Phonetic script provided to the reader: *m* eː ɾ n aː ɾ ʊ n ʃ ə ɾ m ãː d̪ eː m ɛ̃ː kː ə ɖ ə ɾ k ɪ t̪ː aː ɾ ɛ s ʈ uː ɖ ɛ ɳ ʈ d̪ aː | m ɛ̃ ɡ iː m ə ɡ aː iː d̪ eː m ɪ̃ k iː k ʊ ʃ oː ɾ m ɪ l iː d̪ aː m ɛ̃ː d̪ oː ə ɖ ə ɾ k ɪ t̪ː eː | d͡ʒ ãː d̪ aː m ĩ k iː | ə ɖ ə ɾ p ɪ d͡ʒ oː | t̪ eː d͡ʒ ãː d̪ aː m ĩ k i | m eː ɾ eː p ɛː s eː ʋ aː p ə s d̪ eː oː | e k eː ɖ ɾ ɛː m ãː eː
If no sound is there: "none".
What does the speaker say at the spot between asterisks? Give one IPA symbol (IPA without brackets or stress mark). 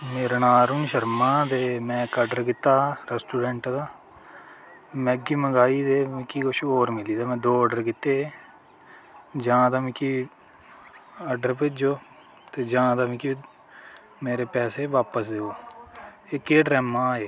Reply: m